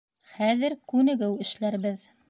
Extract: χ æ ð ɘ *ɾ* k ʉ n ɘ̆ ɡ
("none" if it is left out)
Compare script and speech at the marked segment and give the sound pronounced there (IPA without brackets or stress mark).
ɾ